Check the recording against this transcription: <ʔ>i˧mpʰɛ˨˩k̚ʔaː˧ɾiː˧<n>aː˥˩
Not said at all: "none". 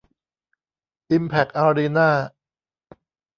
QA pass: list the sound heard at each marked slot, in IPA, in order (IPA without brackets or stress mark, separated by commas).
ʔ, n